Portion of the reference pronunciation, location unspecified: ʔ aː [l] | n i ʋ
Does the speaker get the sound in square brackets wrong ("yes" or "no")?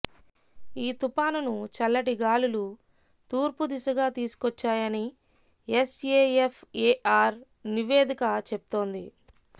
yes